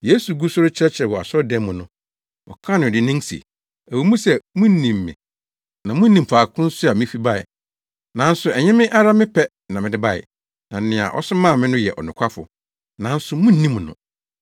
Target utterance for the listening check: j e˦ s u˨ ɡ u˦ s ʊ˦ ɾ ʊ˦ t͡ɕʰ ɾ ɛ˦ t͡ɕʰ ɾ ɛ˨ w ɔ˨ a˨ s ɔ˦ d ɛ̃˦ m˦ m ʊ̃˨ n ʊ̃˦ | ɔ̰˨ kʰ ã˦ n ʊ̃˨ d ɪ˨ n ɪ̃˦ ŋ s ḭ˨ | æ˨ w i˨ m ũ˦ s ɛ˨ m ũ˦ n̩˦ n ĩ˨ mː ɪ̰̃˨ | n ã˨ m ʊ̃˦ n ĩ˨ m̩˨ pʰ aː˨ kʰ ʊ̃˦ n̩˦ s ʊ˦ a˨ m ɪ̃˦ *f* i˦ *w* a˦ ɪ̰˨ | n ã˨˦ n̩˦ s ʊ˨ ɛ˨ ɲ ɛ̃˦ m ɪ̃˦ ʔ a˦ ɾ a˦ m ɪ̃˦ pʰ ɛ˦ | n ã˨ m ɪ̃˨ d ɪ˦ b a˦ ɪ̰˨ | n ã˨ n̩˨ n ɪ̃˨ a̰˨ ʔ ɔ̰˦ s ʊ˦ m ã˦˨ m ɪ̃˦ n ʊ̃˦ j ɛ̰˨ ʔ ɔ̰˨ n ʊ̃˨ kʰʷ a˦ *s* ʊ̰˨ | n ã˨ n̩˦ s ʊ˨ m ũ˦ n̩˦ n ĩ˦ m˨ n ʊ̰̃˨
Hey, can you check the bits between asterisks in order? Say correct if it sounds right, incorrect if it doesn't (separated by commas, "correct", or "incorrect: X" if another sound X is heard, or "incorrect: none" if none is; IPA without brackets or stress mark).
correct, incorrect: b, incorrect: f